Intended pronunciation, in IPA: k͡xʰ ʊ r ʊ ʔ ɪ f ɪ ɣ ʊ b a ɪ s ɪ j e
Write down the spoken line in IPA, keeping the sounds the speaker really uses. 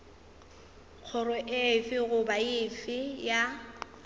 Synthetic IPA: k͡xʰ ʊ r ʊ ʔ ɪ f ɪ ɣ ʊ b a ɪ f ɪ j a